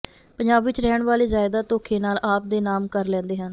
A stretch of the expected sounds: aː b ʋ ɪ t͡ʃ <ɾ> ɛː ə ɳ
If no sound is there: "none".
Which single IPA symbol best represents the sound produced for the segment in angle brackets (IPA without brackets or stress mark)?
ɾ